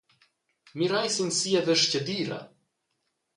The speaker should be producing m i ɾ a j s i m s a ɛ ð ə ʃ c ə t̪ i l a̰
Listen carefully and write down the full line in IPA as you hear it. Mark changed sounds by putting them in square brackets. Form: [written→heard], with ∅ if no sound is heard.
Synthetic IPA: m i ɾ a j s i [m→n] s [a→i] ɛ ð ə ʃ c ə [t̪→d̪] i [l→ɾ] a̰